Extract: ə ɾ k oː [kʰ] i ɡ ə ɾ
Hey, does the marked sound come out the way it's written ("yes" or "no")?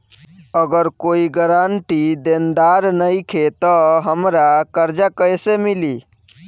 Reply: no